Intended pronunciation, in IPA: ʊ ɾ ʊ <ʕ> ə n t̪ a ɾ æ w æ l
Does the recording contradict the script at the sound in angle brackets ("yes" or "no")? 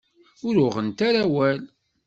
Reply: yes